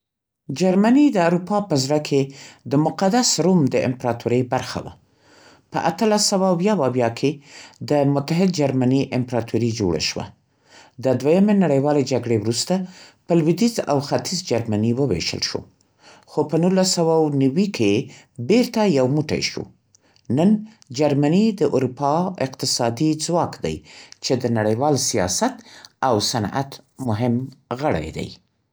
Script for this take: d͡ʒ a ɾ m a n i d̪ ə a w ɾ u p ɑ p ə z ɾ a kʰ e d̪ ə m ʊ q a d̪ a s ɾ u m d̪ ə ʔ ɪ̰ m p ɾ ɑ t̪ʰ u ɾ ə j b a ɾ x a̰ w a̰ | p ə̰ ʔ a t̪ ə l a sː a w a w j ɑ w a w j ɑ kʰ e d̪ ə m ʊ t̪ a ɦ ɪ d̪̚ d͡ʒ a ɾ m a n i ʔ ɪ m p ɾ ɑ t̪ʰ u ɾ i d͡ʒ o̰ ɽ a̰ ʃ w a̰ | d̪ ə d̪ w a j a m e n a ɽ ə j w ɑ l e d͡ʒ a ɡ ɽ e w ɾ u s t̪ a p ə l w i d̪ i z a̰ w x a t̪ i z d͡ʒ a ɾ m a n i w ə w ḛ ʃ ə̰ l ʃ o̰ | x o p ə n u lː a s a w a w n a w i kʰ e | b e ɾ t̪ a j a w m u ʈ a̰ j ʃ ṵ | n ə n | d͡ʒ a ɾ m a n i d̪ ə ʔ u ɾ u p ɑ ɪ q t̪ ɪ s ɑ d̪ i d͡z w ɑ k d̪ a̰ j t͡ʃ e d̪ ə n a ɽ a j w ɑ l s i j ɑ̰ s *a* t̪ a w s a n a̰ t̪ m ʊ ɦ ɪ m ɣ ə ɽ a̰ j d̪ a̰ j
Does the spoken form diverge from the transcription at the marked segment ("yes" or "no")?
no